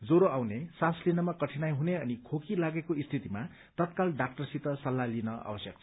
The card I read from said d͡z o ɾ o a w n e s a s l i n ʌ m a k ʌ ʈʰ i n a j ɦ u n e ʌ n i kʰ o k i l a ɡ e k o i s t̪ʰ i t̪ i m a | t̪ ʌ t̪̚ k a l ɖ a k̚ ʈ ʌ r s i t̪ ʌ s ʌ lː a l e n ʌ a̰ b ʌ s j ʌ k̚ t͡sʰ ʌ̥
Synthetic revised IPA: d͡z o ɾ o a w n e s a s l i n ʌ m a k ʌ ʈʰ i n a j ɦ u n e ʌ n i kʰ o k i l a ɡ e k o i s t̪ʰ i t̪ i m a | t̪ ʌ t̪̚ k a l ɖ a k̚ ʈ ʌ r s i t̪ ʌ s ʌ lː a l i n ʌ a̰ b ʌ s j ʌ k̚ t͡sʰ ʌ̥